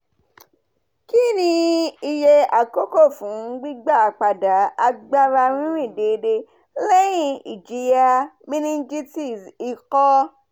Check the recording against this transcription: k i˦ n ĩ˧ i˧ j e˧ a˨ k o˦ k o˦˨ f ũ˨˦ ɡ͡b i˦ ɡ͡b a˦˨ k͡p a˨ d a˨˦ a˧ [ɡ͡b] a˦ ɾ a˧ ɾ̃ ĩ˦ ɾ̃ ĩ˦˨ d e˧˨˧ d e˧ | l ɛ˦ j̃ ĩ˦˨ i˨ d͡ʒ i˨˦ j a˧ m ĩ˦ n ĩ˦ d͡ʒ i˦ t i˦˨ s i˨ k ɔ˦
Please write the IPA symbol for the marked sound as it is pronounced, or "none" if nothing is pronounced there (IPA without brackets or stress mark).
ɡ͡b